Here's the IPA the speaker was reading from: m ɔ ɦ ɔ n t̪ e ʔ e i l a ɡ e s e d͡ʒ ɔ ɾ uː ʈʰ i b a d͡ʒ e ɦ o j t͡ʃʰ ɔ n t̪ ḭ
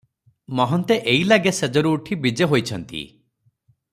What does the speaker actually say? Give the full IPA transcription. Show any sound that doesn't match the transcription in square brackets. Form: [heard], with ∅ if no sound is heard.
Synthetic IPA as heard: m ɔ ɦ ɔ n t̪ e ʔ e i l a ɡ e s e d͡ʒ ɔ ɾ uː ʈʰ i b [i] d͡ʒ e ɦ o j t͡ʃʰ ɔ n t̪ ḭ